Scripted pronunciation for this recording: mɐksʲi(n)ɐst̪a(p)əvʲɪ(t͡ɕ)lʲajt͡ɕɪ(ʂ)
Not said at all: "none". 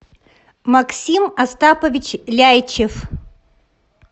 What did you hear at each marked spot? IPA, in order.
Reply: m, p, t͡ɕ, f

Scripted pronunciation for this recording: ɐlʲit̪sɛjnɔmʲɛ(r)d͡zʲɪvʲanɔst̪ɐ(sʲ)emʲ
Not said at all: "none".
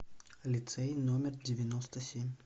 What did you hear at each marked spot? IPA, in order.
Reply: r, sʲ

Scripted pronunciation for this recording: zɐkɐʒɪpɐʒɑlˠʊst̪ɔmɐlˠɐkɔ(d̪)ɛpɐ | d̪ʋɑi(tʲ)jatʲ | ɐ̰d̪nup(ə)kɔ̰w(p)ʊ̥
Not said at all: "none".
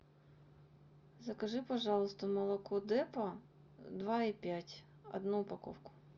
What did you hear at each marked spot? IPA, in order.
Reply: d̪, pʲ, ɐ, k

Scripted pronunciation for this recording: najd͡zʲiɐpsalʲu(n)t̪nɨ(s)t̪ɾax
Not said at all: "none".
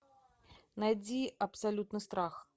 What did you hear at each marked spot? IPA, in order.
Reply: none, s

